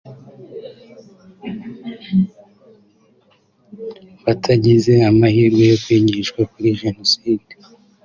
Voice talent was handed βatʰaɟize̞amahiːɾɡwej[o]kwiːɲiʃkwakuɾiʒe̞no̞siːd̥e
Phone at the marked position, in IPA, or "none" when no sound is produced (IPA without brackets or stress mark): o